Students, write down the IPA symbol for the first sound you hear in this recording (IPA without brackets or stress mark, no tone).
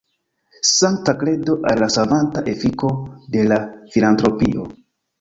s